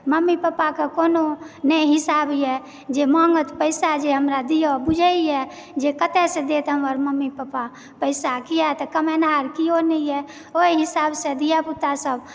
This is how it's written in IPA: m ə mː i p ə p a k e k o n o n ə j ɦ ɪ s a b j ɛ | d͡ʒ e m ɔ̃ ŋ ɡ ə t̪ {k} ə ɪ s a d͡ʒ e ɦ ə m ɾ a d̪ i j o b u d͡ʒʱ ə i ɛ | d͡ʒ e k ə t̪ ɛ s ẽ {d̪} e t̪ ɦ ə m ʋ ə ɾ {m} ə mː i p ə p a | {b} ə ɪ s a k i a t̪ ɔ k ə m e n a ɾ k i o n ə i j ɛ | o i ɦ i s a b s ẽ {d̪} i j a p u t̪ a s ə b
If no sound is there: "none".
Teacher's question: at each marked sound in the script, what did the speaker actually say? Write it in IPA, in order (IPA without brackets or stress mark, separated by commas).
p, d̪, m, p, d̪